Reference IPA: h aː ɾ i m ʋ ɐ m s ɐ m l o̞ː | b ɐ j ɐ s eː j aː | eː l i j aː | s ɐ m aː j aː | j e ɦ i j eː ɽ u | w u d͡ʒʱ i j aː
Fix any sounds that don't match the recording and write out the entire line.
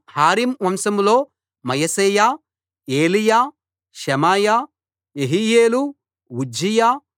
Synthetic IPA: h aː ɾ i m ʋ ɐ m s ɐ m l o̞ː | m ɐ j ɐ s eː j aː | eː l i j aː | ʃ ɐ m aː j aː | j e ɦ i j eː l u | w u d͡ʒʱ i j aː